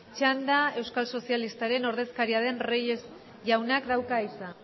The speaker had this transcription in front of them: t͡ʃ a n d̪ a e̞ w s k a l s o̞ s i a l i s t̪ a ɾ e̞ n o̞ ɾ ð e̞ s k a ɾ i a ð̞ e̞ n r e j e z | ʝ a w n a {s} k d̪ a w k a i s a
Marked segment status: incorrect: none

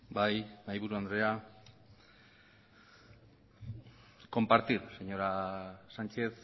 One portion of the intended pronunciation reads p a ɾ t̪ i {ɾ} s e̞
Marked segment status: correct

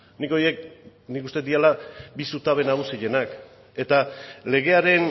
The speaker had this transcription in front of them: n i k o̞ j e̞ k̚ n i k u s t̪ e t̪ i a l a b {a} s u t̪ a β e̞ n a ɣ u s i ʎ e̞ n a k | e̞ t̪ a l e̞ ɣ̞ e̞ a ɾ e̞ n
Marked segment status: incorrect: i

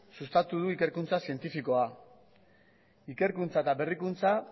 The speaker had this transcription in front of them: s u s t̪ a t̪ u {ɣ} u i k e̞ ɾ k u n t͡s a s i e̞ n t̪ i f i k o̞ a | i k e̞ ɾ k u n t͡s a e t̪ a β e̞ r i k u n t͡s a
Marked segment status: incorrect: ð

